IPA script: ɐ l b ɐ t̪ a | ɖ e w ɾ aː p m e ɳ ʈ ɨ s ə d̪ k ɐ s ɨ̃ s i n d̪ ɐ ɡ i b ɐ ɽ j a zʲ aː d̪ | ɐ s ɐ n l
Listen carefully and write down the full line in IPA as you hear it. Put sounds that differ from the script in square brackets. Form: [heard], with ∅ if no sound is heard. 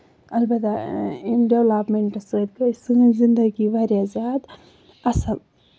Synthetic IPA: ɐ l b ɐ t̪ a | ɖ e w [l] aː p m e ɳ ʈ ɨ s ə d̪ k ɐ s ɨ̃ [z] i n d̪ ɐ ɡ i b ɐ [ɾ] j a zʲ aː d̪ | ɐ s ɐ [∅] l